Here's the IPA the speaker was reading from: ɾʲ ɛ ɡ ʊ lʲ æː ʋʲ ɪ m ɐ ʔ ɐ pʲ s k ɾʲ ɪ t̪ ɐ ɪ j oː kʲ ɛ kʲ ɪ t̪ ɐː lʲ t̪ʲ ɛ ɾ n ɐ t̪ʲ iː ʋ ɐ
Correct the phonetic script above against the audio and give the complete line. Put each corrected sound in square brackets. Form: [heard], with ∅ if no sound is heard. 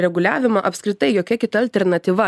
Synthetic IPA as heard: ɾʲ ɛ ɡ ʊ lʲ æː ʋʲ ɪ m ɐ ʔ ɐ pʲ s k ɾʲ ɪ t̪ ɐ ɪ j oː kʲ ɛ kʲ ɪ t̪ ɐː lʲ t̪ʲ ɛ ɾ n ɐ t̪ʲ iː ʋ ɐ